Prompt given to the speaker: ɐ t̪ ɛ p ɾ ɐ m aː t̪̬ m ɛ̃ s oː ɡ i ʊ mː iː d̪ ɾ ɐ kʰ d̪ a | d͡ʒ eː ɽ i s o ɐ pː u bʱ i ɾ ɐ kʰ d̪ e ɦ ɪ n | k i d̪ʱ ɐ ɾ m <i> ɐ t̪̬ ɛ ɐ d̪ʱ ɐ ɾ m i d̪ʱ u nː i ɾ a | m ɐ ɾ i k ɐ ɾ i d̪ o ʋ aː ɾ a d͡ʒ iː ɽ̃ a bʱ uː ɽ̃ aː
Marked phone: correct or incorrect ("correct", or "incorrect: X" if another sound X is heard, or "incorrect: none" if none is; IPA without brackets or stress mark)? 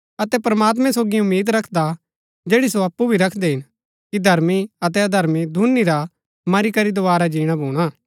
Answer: correct